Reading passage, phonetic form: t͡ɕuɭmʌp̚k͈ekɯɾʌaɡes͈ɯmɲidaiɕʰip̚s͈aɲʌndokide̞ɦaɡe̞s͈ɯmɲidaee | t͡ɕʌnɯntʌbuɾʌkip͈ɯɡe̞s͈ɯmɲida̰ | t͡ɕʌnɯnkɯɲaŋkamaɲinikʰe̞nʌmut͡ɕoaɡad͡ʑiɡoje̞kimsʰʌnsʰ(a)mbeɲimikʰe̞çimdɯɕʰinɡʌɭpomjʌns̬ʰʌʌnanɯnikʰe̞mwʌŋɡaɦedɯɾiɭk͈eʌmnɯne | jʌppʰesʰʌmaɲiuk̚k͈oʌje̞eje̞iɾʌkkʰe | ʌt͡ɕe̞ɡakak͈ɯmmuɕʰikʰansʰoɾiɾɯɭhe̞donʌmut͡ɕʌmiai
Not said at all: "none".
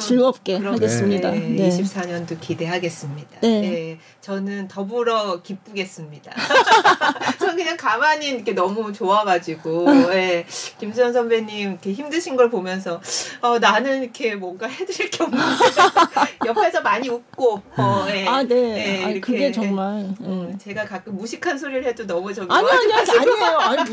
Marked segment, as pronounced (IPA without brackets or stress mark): ʌ